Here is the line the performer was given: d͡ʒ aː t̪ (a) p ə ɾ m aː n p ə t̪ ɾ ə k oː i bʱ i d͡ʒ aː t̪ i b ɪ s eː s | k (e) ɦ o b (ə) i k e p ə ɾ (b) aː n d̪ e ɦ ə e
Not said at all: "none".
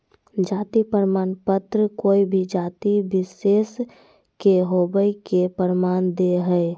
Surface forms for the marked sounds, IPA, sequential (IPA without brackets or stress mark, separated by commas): i, e, ə, m